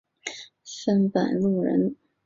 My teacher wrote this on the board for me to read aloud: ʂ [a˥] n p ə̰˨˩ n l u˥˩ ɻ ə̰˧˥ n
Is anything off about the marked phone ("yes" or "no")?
yes